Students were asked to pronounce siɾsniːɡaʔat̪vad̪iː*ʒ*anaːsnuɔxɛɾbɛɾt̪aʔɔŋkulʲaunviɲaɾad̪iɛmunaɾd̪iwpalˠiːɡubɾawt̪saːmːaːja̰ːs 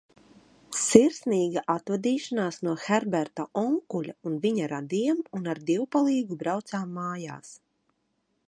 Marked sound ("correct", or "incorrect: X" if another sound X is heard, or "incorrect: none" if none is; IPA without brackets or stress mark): incorrect: ʃ